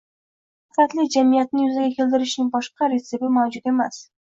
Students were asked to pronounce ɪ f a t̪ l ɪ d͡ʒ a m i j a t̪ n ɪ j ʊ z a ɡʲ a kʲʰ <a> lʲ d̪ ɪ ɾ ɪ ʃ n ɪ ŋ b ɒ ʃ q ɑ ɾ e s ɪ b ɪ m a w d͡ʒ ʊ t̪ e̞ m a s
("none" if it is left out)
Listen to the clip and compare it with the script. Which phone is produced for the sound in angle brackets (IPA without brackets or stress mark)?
e